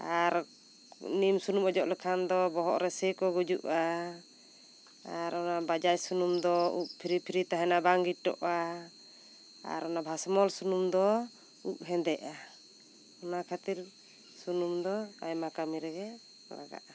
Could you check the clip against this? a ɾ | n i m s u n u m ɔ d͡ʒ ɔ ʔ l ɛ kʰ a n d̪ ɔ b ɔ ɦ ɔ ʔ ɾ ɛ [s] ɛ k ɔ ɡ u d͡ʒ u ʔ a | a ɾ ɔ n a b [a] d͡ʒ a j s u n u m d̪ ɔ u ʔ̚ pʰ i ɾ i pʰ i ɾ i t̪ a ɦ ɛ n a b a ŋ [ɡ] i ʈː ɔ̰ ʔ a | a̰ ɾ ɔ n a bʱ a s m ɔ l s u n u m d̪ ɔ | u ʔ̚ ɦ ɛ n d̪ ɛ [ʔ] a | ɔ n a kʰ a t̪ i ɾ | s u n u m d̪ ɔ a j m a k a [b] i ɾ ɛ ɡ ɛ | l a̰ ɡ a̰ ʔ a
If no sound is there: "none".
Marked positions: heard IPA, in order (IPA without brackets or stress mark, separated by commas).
s, a, ɡ, ʔ, m